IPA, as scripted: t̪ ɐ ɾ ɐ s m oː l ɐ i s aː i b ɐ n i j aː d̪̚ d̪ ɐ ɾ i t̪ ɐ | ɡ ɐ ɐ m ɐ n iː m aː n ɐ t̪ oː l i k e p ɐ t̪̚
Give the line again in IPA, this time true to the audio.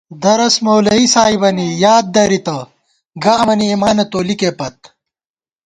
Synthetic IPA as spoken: d̪ ɐ ɾ ɐ s m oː l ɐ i s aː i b ɐ n i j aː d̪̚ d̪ ɐ ɾ i t̪ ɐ | ɡ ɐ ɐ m ɐ n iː m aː n ɐ t̪ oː l i k e p ɐ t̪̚